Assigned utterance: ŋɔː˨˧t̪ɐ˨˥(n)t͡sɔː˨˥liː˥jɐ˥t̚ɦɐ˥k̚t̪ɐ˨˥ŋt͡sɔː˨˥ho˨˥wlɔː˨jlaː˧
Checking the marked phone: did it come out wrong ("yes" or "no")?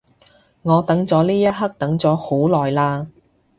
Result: yes